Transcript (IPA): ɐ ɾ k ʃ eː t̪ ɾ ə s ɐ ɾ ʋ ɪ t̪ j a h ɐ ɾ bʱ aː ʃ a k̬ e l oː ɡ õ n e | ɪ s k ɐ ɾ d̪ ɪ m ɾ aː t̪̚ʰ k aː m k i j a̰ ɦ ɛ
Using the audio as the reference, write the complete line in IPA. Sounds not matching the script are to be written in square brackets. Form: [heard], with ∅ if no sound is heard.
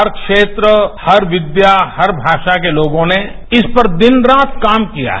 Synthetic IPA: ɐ ɾ k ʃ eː t̪ ɾ ə [h] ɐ ɾ ʋ ɪ [d̪] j a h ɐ ɾ bʱ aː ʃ a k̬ e l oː ɡ õ n e | ɪ s [p] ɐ ɾ d̪ ɪ [n] ɾ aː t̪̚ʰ k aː m k i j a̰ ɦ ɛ